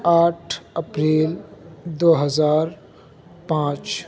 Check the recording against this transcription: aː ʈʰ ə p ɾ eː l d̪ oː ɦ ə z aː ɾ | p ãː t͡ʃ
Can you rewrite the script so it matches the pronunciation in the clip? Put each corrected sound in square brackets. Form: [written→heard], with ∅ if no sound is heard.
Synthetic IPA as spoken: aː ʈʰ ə p ɾ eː l d̪ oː ɦ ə z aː ɾ | p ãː t͡ʃ